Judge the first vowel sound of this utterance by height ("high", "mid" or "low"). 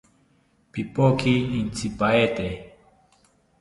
high